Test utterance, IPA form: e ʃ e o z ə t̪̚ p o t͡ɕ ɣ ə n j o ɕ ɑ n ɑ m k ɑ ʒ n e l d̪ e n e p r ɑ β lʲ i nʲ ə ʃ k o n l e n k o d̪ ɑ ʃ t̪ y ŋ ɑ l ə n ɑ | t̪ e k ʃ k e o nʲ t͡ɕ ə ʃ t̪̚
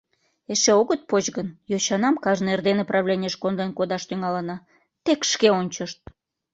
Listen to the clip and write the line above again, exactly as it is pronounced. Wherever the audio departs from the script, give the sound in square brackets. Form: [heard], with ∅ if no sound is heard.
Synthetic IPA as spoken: e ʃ e o [ɣ] ə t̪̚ p o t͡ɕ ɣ ə n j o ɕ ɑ n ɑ m k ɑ ʒ n e [r] d̪ e n e p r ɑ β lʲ [e] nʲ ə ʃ k o n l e n k o d̪ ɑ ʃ t̪ y ŋ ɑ l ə n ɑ | t̪ e k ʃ k e o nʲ t͡ɕ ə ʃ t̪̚

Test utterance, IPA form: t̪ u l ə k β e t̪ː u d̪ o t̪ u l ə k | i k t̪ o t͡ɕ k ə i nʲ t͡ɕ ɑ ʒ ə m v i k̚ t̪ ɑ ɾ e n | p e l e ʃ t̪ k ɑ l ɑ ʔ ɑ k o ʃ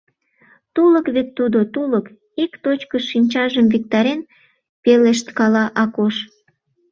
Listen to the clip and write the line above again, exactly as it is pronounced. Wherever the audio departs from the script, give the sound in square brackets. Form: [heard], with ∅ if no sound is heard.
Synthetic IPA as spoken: t̪ u l ə k β e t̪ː u d̪ o t̪ u l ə k | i k t̪ o t͡ɕ k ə i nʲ t͡ɕ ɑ ʒ ə m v i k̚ t̪ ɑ ɾ e n | p e l e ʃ t̪ k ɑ l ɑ ʔ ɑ k o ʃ

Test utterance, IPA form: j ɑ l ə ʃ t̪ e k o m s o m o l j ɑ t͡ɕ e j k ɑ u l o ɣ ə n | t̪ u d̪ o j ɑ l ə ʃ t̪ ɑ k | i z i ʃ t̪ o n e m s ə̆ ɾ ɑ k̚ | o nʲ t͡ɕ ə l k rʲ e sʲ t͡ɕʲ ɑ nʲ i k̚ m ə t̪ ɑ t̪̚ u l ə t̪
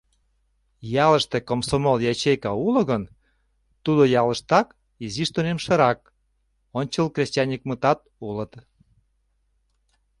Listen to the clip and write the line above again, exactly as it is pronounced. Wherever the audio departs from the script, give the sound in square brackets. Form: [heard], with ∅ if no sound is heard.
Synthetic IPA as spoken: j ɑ l ə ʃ t̪ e k o m s o m o l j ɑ t͡ɕ e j k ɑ u l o ɣ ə n | t̪ u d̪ o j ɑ l ə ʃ t̪ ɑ k | i z i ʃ t̪ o n e m [ʃ] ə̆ ɾ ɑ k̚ | o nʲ t͡ɕ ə l k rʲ e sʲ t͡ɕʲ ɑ nʲ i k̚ m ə t̪ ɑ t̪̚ u l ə t̪

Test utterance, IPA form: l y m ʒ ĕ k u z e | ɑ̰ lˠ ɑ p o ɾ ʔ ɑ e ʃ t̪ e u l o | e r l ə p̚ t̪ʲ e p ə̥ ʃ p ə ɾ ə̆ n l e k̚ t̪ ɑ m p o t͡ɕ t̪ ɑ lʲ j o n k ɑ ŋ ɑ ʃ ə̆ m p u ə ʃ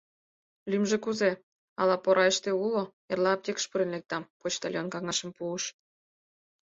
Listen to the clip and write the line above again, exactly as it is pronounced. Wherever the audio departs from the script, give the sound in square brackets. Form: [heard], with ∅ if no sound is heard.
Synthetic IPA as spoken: l y m ʒ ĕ k u z e | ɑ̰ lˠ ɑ p o ɾ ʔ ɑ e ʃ t̪ e u l o | e r l [ɑ] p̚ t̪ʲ e [k] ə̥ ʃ p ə ɾ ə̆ n l e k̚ t̪ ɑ m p o t͡ɕ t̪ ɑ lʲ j o n k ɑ ŋ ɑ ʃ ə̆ m p u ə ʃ

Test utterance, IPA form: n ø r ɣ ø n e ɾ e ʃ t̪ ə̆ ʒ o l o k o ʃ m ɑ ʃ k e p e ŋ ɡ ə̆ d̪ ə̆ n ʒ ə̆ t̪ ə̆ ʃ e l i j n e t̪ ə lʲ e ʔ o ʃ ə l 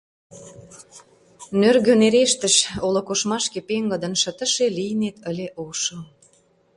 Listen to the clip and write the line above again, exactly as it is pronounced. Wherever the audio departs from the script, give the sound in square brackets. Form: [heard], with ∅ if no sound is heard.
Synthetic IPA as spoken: n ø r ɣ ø n e ɾ e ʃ t̪ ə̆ [ʃ] o l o k o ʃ m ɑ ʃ k e p e ŋ ɡ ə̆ d̪ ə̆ n [ʃ] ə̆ t̪ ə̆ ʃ e l i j n e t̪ ə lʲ e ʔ o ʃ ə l

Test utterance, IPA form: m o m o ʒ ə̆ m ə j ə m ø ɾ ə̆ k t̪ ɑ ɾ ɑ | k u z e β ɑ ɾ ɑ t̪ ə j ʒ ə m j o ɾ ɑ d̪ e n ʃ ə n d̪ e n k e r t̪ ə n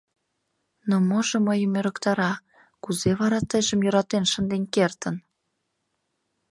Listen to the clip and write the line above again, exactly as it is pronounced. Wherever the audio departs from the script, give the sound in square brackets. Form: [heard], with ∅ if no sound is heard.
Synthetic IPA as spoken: [n] o m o ʒ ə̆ m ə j ə m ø ɾ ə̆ k t̪ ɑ ɾ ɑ | k u z e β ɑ ɾ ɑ t̪ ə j ʒ ə m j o ɾ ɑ [t̪] e n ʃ ə n d̪ e n k e r t̪ ə n

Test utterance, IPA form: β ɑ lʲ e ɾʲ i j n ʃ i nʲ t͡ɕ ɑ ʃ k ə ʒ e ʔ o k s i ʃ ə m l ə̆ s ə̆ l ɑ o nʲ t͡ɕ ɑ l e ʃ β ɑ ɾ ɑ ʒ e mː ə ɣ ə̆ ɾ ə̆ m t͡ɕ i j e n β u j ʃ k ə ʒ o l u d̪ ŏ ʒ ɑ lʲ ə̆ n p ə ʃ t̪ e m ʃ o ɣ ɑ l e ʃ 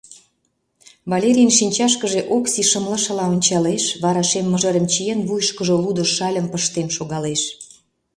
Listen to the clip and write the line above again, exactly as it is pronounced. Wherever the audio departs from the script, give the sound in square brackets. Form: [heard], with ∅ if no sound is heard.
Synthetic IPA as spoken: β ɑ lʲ e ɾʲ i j n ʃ i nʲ t͡ɕ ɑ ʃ k ə ʒ e ʔ o k s i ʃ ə m l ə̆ [ʃ] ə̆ l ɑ o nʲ t͡ɕ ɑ l e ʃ β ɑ ɾ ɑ [ʃ] e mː ə [ʒ] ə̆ ɾ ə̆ m t͡ɕ i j e n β u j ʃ k ə ʒ o l u d̪ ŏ [ʃ] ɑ lʲ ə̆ [m] p ə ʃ t̪ e m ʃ o ɣ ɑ l e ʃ

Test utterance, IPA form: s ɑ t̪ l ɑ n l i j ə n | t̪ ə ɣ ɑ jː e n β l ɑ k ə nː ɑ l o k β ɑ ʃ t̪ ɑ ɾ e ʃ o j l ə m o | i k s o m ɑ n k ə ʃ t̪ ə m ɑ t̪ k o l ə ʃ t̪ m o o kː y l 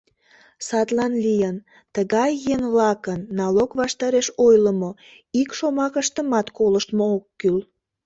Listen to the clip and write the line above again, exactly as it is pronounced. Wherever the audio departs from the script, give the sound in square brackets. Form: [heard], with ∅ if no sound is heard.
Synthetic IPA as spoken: s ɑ t̪ l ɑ n l i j ə n | t̪ ə ɣ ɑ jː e n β l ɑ k ə nː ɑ l o k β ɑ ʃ t̪ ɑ ɾ e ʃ o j l ə m o | i k [ʃ] o m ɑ [∅] k ə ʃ t̪ ə m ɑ t̪ k o l ə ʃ t̪ m o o kː y l

